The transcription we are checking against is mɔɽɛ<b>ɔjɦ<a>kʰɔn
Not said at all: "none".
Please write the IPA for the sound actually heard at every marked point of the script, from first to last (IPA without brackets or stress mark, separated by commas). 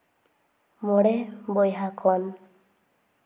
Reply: b, a